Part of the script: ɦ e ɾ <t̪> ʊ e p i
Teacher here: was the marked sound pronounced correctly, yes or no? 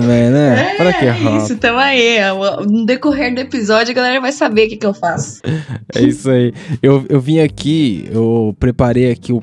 no